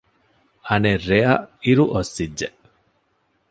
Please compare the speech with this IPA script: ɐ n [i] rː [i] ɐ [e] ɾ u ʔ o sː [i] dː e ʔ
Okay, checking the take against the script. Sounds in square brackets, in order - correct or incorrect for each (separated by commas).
incorrect, incorrect, incorrect, correct